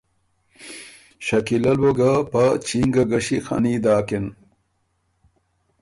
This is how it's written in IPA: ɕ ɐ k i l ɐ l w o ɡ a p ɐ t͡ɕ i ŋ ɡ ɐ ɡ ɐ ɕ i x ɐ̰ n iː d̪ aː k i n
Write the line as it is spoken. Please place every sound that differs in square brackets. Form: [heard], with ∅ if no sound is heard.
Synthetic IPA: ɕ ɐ k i l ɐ l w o ɡ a p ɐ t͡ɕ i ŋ ɡ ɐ ɡ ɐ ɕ i x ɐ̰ n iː d̪ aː k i n